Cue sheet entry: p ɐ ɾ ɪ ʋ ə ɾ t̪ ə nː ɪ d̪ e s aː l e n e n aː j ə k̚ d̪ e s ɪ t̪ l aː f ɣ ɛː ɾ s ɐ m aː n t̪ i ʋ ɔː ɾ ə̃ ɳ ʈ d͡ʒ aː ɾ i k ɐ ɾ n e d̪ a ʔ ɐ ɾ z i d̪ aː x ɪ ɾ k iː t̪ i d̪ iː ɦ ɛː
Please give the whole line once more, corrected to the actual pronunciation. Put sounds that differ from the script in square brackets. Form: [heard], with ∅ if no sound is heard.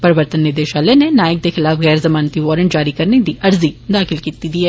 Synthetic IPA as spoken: p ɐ ɾ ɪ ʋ ə ɾ t̪ ə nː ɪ d̪ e [ʃ] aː l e n e n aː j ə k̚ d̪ e [x] ɪ [∅] l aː f ɣ ɛː ɾ [z] ɐ m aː n t̪ i ʋ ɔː ɾ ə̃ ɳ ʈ d͡ʒ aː ɾ i k ɐ ɾ n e d̪ [i] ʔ ɐ ɾ z i d̪ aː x ɪ [l] k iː t̪ i d̪ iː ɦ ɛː